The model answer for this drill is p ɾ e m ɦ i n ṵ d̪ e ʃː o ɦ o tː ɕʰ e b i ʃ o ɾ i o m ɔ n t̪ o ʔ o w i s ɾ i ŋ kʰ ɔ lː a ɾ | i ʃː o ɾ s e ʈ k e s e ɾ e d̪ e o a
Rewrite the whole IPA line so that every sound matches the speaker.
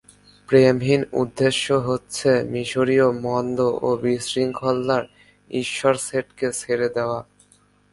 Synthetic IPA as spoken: p ɾ e m ɦ i n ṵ d̪ː e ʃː o ɦ o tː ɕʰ e m i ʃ o ɾ i o m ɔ n d̪ o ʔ o b i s ɾ i ŋ kʰ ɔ lː a ɾ | i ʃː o ɾ s e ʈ k e s e ɾ e d̪ e o a